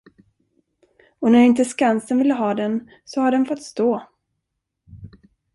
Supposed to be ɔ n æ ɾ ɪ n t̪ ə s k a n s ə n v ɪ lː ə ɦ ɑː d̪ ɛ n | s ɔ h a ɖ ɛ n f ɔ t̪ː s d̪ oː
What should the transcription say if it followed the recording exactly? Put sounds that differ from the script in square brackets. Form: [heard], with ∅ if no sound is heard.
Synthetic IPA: ɔ n æ ɾ ɪ n t̪ ə s k a n s ə n v ɪ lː ə ɦ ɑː d̪ ɛ n | s ɔ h a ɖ ɛ n f ɔ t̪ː s [t̪] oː